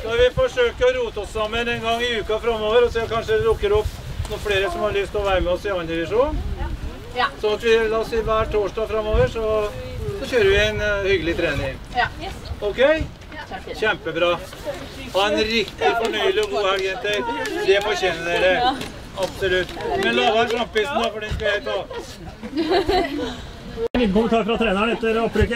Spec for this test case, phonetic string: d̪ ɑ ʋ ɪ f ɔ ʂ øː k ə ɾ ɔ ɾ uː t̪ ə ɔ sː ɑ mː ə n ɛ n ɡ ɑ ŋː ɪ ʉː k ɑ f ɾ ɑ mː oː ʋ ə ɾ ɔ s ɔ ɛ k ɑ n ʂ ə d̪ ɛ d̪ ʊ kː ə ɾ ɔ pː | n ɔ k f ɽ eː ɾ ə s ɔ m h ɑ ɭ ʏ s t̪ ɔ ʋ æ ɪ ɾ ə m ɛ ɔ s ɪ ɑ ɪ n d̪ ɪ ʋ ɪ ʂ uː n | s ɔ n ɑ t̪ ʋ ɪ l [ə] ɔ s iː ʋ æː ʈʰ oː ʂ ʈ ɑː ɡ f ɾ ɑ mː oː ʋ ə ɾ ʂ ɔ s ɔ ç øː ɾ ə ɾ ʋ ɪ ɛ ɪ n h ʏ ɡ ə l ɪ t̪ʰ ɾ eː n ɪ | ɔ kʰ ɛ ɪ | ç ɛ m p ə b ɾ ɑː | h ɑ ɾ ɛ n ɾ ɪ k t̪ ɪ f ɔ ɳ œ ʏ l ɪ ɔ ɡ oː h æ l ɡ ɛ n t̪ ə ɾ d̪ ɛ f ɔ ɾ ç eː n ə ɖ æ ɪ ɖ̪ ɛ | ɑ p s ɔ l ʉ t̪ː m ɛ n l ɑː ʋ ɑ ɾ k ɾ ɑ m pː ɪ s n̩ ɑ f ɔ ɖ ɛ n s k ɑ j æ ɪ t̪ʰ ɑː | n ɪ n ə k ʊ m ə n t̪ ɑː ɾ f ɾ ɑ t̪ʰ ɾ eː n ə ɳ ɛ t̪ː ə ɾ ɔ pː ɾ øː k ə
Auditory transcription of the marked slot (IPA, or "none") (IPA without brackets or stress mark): ɑ